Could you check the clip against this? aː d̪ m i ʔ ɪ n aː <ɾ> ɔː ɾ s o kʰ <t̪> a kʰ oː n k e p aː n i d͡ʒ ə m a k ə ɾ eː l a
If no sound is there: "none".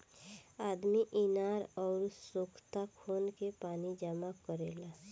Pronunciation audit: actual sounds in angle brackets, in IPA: ɾ, t̪

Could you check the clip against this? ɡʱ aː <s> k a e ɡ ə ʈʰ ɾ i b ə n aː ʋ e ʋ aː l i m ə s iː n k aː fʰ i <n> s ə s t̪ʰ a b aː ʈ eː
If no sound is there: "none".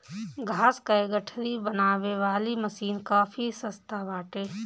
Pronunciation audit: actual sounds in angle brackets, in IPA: s, none

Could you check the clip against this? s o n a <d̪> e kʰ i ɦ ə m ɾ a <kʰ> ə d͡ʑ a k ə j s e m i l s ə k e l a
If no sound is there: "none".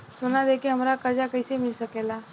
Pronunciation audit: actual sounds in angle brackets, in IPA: d̪, k

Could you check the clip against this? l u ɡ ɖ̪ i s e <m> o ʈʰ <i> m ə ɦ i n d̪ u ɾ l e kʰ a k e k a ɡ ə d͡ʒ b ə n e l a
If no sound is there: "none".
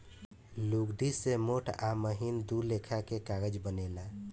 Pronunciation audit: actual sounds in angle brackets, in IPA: m, a

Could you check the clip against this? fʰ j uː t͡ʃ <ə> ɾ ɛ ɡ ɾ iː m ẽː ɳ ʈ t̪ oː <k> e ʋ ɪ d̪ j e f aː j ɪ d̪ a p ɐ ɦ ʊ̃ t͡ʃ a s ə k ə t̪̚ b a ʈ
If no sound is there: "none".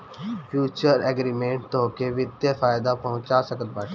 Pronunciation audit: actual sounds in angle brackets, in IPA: ə, k

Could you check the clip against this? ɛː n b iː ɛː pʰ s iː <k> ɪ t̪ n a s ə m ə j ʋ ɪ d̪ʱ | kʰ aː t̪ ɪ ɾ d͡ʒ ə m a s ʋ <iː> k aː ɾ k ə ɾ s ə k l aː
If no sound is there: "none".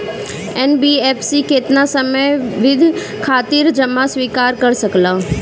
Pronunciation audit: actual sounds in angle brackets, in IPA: k, iː

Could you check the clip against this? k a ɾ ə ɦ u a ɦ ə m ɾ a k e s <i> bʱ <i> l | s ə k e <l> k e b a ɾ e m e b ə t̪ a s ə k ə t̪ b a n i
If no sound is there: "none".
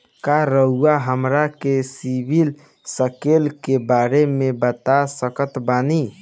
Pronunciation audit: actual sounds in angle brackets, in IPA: i, i, l

